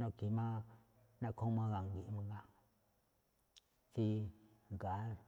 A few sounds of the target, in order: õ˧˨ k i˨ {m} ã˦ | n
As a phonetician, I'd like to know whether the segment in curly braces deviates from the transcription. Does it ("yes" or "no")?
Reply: no